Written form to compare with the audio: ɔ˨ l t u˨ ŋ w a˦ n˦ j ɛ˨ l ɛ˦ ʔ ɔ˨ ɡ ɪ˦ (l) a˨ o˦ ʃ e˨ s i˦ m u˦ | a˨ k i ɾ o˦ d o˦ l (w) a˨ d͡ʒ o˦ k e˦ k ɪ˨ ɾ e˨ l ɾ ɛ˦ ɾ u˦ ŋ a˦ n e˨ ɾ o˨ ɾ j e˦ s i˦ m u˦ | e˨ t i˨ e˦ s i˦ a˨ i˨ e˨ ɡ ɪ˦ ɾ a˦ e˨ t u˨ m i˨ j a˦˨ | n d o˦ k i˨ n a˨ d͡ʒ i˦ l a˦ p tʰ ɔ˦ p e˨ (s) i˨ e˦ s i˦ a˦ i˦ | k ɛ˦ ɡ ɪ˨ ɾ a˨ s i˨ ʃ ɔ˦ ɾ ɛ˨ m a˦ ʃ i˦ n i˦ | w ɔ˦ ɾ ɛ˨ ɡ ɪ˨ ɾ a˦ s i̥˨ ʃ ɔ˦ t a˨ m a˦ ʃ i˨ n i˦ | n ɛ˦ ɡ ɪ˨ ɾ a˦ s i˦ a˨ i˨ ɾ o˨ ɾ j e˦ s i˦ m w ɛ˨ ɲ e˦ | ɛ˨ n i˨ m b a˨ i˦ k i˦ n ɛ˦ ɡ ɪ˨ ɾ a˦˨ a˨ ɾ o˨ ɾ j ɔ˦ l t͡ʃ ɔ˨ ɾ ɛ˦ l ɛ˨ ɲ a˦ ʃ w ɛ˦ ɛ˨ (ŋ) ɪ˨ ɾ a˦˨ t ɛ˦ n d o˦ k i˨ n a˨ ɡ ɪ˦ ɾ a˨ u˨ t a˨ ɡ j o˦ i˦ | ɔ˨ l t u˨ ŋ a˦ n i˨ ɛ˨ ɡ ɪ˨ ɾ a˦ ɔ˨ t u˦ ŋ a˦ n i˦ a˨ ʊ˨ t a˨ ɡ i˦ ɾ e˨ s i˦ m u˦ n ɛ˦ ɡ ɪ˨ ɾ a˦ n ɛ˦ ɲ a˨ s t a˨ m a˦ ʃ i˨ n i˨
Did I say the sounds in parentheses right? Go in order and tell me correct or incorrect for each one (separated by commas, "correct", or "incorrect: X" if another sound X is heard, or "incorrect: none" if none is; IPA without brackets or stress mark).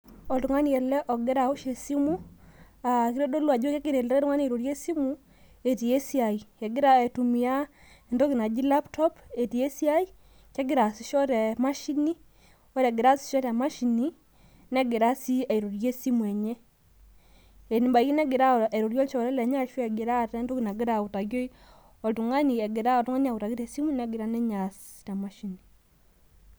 incorrect: ɾ, correct, incorrect: t, incorrect: ɡ